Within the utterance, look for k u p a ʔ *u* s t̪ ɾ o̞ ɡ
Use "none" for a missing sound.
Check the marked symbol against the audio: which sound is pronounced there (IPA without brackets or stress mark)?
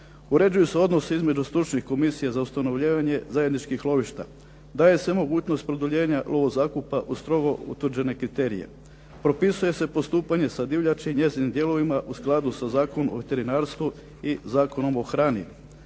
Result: u